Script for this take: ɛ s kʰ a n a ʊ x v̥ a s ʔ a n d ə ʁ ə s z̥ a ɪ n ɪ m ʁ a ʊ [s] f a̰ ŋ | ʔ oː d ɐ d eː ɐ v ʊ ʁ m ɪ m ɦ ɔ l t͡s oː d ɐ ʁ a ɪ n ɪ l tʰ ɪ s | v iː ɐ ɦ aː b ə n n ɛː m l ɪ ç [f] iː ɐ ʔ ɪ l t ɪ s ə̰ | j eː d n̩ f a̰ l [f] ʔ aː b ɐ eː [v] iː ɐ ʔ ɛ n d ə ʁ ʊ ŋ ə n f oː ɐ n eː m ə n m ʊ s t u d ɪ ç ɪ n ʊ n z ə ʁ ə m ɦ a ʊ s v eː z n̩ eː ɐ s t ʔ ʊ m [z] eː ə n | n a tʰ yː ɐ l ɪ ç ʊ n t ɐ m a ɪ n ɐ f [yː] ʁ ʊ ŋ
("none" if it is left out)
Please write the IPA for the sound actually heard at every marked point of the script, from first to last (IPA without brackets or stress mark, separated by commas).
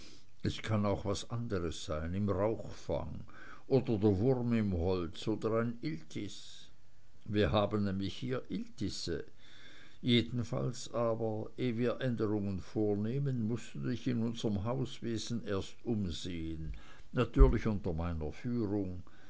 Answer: x, h, s, v, z, yː